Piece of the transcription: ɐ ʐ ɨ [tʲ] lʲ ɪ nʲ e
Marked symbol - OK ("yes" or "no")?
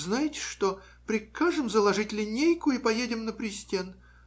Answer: yes